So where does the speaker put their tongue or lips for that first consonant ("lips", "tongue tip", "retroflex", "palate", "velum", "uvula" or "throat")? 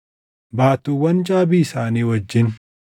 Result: lips